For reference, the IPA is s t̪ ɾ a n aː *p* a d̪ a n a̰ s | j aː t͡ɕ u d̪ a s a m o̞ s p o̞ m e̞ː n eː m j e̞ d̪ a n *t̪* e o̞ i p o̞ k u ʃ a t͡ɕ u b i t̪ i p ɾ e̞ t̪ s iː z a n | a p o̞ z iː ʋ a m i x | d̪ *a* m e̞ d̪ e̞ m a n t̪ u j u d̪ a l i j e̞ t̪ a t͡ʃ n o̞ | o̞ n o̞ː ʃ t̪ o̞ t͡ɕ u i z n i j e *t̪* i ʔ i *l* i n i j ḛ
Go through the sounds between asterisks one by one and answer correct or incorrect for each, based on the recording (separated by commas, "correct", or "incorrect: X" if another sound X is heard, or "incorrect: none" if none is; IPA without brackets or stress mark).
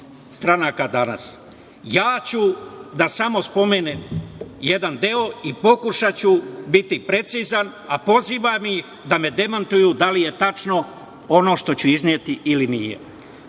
incorrect: k, incorrect: d̪, correct, correct, correct